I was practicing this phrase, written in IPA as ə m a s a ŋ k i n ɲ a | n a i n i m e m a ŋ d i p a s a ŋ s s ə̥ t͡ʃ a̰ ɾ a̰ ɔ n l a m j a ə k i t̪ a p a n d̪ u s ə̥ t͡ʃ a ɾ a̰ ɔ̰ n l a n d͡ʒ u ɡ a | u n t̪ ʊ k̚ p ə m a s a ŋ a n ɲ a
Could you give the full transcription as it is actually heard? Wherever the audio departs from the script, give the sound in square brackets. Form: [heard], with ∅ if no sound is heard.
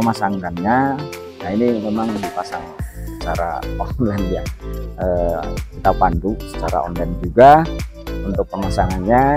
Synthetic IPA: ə m a s a ŋ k [a] n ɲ a | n a i n i m e m a ŋ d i p a s a ŋ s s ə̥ t͡ʃ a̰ ɾ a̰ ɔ n l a [n] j a ə k i t̪ a p a n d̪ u s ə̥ t͡ʃ a ɾ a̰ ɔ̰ n l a n d͡ʒ u ɡ a | u n t̪ ʊ k̚ p ə m a s a ŋ a n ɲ a